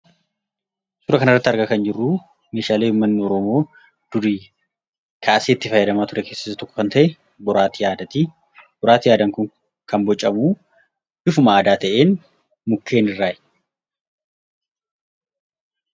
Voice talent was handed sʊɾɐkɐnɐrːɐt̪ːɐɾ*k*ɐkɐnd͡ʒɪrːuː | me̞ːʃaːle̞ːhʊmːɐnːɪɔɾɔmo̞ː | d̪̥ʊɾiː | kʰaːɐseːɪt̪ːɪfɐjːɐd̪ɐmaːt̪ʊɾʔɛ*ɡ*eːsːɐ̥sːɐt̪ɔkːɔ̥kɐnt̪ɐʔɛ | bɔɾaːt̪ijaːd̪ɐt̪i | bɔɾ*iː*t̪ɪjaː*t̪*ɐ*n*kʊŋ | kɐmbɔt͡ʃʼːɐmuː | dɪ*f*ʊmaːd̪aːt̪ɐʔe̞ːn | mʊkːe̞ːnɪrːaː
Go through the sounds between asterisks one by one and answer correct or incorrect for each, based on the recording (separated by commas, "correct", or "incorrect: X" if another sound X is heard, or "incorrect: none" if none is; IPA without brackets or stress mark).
incorrect: ɡ, incorrect: k, incorrect: aː, incorrect: d̪, incorrect: ŋ, correct